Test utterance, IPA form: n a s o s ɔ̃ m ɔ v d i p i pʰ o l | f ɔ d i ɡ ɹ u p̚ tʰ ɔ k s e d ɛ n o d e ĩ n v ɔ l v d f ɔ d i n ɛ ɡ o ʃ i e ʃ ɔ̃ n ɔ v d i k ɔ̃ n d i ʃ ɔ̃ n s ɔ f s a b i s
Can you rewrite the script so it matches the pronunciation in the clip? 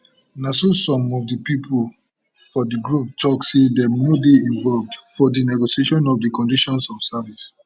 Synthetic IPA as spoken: n a s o s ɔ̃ m ɔ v d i p i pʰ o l | f ɔ d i ɡ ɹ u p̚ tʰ ɔ k s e d ɛ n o d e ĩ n v ɔ l v d f ɔ d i n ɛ ɡ o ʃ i e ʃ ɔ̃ n ɔ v d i k ɔ̃ n d i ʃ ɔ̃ n s ɔ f s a v i s